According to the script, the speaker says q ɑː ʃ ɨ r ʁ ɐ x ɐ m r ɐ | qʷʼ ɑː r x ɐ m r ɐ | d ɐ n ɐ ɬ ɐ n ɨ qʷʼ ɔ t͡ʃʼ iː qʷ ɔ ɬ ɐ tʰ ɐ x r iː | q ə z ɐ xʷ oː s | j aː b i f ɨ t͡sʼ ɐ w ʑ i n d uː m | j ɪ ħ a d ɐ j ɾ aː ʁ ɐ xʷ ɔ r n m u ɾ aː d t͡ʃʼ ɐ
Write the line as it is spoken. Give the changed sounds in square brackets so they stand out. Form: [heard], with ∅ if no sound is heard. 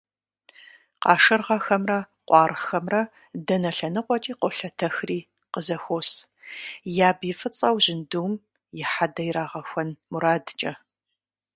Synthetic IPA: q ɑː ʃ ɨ r ʁ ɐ x ɐ m r ɐ | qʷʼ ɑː r x ɐ m r ɐ | d ɐ n ɐ ɬ ɐ n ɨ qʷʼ ɔ t͡ʃʼ iː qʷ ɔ ɬ ɐ tʰ ɐ x r iː | q ə z ɐ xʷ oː s | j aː b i f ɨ t͡sʼ ɐ w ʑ [ɪ] n d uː m | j ɪ ħ a d ɐ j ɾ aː ʁ ɐ xʷ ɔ [∅] n m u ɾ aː d t͡ʃʼ ɐ